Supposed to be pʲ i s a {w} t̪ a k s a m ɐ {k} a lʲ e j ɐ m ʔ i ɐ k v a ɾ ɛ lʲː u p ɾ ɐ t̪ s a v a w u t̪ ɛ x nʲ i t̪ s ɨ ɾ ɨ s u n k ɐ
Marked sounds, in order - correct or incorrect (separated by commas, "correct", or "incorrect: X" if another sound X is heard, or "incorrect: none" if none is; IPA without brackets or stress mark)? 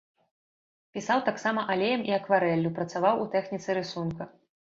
correct, incorrect: ʔ